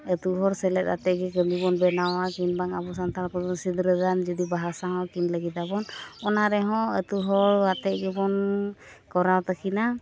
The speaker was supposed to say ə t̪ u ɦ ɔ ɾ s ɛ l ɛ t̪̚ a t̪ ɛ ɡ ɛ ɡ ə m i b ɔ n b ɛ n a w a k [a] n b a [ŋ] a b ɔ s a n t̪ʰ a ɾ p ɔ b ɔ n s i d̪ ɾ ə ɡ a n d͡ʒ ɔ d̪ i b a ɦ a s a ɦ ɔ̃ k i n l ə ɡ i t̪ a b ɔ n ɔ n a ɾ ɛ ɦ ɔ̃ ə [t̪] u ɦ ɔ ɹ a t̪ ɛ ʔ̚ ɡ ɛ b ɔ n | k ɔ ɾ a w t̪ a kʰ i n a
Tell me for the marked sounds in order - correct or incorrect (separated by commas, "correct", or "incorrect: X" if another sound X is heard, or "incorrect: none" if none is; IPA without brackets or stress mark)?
incorrect: i, correct, correct